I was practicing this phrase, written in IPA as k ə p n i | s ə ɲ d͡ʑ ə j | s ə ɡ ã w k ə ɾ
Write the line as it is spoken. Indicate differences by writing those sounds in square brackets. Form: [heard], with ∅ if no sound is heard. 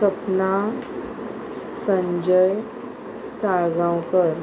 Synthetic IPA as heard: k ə p n [a] | s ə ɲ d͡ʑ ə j | s [a] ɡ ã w k ə ɾ